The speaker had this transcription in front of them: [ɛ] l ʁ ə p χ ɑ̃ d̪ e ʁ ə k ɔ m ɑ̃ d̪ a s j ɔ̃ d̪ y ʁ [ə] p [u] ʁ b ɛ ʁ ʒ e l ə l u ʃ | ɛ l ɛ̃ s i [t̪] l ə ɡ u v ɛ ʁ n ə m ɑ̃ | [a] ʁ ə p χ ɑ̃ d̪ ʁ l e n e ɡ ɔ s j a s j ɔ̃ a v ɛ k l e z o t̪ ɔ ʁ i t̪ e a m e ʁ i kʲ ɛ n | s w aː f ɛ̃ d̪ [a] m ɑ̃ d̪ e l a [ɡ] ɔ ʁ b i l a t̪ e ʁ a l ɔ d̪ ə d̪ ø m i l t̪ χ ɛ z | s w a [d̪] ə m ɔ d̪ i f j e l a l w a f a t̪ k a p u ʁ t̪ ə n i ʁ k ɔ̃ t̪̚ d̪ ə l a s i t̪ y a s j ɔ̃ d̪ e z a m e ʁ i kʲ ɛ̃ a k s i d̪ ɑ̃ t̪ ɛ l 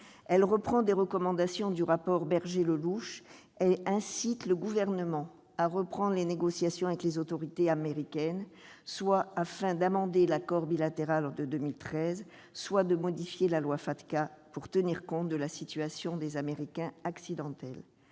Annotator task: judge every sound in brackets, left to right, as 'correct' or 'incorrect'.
correct, incorrect, incorrect, correct, correct, correct, incorrect, correct

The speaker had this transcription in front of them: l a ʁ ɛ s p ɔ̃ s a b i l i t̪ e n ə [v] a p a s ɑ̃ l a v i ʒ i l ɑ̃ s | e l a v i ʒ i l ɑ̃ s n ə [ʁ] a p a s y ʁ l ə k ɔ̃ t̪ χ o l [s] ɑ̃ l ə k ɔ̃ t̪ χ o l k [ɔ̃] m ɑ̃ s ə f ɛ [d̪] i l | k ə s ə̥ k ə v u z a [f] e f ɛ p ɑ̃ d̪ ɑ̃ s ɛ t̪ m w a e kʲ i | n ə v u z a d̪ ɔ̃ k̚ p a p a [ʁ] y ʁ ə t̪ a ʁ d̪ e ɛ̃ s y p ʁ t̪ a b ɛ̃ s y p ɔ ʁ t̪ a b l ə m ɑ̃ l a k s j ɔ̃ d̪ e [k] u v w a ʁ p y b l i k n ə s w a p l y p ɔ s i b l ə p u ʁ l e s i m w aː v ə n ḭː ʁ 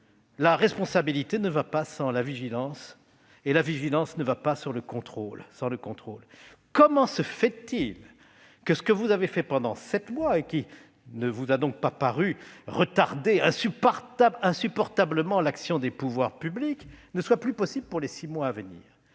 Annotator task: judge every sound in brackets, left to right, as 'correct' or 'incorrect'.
correct, incorrect, correct, incorrect, incorrect, incorrect, correct, incorrect

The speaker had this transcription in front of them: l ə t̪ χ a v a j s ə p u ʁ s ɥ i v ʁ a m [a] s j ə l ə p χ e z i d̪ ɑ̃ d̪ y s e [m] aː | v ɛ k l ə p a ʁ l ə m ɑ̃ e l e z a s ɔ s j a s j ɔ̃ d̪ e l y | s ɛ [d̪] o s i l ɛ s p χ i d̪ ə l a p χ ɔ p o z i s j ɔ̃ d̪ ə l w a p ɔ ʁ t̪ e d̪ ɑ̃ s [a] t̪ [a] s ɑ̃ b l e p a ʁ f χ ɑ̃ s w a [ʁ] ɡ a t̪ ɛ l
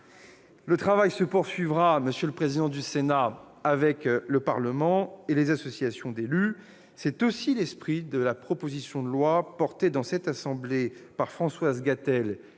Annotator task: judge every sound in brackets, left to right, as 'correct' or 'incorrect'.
incorrect, incorrect, incorrect, incorrect, correct, incorrect

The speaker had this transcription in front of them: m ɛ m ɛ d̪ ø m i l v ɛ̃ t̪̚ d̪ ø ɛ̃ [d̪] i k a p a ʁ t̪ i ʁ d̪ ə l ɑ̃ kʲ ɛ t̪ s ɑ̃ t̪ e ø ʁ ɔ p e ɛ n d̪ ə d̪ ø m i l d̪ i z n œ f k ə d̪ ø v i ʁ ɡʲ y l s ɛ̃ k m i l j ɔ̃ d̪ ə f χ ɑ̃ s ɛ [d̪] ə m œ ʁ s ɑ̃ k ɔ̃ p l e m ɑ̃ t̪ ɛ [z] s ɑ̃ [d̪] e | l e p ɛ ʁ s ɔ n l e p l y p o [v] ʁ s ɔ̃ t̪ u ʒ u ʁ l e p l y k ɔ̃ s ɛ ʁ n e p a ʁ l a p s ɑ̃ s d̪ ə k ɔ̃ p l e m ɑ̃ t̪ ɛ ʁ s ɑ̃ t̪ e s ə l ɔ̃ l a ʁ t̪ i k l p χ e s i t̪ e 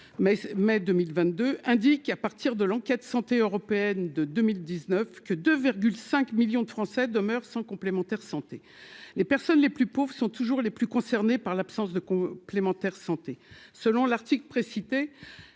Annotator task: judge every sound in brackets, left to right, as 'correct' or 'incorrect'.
correct, correct, incorrect, incorrect, correct

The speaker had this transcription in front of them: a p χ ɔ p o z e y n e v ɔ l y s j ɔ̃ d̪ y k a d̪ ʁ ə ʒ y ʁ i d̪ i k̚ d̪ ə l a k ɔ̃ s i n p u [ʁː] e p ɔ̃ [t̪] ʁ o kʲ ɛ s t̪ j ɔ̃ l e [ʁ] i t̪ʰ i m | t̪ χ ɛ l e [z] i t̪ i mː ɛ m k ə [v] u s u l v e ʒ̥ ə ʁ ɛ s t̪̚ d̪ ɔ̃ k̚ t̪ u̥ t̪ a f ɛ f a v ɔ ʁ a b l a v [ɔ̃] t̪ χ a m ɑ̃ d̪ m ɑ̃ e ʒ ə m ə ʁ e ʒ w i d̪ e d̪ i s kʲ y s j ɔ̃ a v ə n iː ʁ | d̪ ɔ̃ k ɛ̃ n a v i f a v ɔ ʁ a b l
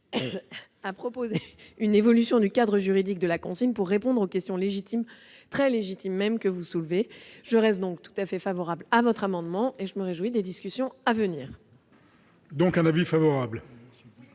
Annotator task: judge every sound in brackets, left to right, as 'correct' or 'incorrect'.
correct, incorrect, incorrect, incorrect, correct, incorrect

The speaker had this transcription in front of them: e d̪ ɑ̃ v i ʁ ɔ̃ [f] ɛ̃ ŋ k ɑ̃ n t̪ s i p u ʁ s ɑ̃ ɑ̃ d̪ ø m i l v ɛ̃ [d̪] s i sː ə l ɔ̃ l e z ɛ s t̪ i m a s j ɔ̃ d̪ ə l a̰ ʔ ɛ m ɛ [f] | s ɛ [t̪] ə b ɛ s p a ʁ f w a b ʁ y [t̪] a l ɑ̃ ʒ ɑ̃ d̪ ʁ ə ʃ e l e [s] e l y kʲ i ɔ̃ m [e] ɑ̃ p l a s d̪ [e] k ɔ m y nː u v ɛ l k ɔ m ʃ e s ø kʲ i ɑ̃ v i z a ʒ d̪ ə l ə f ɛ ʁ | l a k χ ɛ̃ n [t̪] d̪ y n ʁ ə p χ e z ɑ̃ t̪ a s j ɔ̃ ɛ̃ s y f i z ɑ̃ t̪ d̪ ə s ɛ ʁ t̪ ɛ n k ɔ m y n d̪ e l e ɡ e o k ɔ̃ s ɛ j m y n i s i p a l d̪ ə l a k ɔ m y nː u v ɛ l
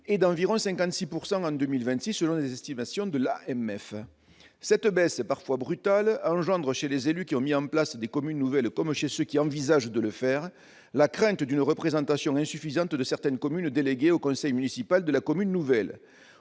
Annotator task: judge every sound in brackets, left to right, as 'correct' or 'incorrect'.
incorrect, incorrect, correct, correct, correct, incorrect, incorrect, correct, correct

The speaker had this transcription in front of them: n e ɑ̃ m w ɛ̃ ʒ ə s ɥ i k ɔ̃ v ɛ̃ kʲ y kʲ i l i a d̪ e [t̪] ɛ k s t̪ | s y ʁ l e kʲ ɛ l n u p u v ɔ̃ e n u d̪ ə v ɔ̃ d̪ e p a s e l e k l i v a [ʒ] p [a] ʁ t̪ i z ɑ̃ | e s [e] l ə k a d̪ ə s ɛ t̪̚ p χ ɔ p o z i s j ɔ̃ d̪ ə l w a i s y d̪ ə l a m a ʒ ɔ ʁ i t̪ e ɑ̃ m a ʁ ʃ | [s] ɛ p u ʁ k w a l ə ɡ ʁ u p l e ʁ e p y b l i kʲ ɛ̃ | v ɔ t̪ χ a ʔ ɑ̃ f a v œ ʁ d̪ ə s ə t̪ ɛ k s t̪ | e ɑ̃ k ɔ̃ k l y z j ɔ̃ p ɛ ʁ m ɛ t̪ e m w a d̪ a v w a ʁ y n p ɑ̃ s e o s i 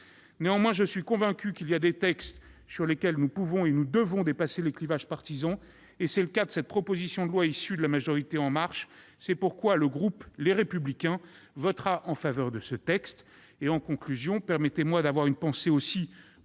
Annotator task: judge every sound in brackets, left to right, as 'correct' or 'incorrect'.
correct, correct, correct, incorrect, correct

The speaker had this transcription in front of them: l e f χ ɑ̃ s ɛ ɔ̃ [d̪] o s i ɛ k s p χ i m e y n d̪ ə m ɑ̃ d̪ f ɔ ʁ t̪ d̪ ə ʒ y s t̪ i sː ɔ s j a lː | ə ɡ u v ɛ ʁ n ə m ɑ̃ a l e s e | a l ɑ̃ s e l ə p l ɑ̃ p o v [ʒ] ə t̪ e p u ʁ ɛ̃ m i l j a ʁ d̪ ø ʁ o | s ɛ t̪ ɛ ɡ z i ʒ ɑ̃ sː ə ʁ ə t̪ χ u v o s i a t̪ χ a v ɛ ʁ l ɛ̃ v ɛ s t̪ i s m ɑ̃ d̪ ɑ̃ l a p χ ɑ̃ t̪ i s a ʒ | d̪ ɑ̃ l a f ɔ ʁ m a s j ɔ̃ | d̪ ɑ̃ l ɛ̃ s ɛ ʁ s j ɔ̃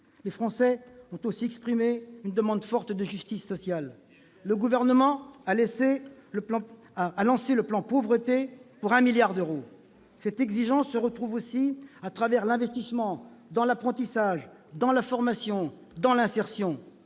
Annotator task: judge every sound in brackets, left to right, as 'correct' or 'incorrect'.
incorrect, incorrect

